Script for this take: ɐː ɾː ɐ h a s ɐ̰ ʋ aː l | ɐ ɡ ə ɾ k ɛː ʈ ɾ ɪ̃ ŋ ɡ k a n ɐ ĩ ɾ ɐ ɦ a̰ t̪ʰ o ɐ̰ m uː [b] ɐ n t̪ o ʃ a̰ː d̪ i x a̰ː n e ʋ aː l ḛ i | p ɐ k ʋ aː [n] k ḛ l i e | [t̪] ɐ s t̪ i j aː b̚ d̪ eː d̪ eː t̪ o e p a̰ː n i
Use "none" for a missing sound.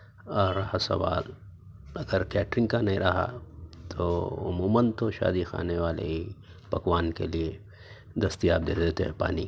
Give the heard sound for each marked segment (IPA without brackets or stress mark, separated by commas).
m, n, d̪